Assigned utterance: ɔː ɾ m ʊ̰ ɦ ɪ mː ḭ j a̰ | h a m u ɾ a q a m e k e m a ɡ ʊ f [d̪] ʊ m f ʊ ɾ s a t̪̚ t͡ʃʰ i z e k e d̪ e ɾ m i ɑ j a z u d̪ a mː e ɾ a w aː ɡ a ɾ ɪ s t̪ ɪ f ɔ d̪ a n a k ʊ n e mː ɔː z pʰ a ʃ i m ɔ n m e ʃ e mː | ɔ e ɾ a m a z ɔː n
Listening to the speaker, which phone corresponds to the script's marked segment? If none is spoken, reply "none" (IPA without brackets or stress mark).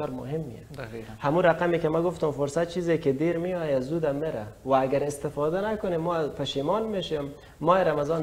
t̪